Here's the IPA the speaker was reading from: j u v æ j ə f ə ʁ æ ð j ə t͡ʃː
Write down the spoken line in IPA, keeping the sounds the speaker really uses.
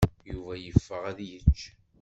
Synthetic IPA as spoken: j u v æ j ə fː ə ʁ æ ð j ə t͡ʃː